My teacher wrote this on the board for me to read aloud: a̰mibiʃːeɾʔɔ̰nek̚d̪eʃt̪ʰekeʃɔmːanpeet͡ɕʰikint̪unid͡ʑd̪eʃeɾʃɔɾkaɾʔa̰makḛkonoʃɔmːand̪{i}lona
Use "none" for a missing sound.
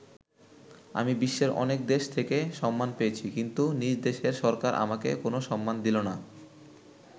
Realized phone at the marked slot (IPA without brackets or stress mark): i